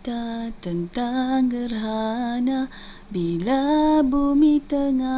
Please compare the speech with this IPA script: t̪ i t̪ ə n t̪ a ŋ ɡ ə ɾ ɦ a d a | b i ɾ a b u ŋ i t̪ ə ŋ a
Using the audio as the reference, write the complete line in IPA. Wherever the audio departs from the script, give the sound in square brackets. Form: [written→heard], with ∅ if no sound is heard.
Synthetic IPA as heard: t̪ [i→a] t̪ ə n t̪ a ŋ ɡ ə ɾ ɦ a [d→n] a | b i [ɾ→l] a b u [ŋ→m] i t̪ ə ŋ a